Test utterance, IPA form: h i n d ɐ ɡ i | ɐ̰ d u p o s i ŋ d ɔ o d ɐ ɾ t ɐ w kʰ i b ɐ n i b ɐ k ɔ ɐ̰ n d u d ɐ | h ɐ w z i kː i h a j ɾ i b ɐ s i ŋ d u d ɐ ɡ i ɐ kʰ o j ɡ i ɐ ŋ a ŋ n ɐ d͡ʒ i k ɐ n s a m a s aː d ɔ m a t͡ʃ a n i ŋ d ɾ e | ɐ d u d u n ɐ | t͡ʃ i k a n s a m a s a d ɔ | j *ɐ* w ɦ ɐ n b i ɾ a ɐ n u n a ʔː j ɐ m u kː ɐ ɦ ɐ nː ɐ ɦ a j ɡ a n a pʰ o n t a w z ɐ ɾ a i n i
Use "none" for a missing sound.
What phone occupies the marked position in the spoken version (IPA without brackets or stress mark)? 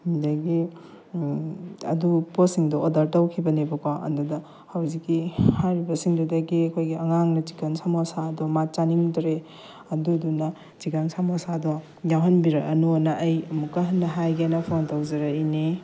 a